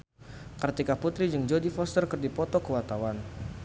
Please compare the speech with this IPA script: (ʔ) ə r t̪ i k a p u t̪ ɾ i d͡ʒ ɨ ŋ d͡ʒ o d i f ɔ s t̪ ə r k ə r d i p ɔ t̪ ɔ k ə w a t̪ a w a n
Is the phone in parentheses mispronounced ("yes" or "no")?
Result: yes